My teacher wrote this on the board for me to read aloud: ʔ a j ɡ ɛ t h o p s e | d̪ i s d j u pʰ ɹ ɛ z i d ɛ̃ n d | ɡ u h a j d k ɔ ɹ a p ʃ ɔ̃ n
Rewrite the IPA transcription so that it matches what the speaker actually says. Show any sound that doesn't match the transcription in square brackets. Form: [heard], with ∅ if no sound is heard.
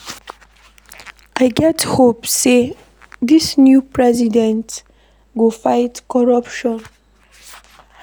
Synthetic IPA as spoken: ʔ a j ɡ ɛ t h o p s e | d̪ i s [n] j u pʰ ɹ ɛ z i d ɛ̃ n [t] | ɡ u [f] a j [t] k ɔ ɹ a p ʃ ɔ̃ n